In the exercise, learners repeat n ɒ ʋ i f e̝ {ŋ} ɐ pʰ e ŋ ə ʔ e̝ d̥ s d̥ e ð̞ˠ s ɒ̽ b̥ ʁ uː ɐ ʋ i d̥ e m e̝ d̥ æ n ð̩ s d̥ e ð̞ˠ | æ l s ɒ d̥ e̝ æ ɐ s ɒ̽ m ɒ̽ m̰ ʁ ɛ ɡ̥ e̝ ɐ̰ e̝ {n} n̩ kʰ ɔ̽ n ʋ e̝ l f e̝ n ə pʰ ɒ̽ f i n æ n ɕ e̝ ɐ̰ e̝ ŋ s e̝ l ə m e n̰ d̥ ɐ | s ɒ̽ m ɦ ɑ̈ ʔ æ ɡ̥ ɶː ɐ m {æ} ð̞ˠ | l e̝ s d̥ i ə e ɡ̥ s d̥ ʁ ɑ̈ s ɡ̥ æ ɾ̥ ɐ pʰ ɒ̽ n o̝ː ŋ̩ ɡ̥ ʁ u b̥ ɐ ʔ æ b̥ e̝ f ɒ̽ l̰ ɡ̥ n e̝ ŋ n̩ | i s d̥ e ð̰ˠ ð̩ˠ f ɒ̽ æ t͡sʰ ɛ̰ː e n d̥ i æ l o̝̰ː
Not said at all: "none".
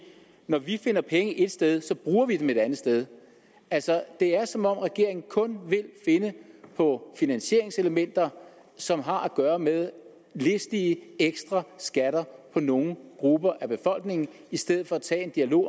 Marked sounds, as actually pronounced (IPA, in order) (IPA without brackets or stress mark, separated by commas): n, ŋ, e